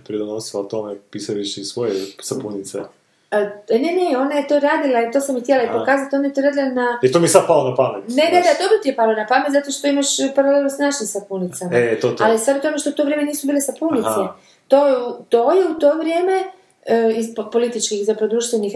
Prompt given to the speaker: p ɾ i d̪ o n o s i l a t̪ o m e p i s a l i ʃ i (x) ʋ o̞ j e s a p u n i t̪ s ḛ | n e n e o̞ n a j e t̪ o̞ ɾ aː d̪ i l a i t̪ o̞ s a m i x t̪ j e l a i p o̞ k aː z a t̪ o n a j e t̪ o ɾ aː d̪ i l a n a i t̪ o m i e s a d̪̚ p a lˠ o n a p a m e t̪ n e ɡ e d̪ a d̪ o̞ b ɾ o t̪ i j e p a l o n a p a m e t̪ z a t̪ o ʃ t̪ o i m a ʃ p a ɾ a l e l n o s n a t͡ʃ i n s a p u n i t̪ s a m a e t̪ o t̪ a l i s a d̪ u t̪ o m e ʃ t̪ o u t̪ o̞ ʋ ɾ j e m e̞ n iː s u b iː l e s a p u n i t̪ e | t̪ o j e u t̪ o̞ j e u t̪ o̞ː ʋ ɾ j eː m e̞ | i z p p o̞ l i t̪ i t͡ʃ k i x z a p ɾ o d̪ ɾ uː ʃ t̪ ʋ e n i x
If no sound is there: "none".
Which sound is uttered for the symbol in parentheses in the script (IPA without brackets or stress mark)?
s